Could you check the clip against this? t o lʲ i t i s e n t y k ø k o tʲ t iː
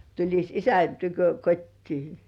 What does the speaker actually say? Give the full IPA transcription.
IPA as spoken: t u lʲ i s i s æ n t y k ø k o tʲ t iː